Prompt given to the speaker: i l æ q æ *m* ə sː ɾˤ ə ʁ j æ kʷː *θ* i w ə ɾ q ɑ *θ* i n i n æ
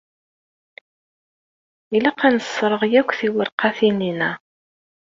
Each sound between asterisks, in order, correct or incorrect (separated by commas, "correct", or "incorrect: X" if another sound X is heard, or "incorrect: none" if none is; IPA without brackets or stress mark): incorrect: n, correct, correct